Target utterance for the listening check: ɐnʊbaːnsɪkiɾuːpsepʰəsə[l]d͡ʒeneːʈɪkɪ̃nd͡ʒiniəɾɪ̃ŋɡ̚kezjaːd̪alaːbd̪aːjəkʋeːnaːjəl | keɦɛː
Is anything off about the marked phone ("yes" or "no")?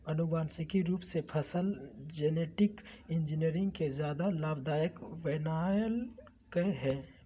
no